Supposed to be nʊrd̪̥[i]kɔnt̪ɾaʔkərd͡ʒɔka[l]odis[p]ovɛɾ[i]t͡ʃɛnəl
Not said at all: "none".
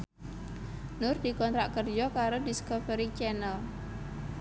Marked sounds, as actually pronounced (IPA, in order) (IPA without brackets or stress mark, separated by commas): i, ɾ, k, i